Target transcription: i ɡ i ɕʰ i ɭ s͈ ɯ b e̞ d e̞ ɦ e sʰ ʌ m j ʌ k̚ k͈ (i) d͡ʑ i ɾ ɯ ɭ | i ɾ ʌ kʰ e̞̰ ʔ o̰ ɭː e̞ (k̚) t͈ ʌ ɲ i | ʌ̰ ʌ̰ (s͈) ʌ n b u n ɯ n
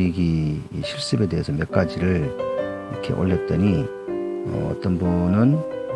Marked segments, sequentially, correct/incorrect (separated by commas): incorrect, incorrect, incorrect